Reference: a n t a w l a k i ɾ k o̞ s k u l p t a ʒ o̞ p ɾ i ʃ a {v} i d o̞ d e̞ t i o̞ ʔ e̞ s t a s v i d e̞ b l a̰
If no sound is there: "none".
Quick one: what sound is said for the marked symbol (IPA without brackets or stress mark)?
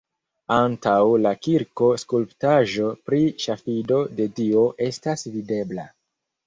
f